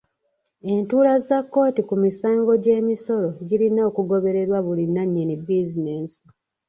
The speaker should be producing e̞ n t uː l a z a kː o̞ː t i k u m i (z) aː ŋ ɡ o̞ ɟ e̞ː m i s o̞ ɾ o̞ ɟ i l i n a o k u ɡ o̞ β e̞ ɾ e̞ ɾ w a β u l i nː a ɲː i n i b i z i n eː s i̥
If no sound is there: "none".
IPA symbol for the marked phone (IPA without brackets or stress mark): s